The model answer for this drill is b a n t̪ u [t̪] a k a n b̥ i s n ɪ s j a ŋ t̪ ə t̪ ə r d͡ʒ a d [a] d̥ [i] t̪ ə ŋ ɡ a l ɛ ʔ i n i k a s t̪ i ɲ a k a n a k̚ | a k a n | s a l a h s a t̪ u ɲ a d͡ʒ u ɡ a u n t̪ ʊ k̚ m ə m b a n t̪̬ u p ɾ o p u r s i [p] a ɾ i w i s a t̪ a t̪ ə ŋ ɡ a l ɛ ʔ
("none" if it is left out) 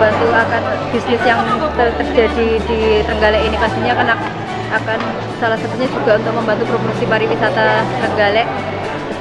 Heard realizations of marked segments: none, i, i, p

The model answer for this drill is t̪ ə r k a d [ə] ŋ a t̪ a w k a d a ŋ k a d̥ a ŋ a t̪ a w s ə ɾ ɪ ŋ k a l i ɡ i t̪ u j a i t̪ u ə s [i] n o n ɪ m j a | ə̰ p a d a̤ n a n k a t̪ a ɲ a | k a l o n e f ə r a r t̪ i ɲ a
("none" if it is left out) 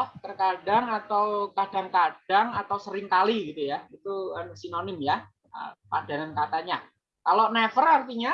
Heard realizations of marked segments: a, i

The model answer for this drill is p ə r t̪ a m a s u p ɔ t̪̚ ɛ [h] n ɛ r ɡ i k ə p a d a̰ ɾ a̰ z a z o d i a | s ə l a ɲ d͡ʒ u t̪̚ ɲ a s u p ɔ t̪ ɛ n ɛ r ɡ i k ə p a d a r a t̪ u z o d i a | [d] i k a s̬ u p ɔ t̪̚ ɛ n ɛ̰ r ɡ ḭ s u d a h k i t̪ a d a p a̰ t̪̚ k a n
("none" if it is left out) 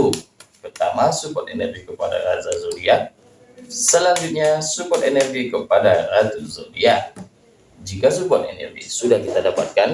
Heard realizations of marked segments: none, d͡ʒ

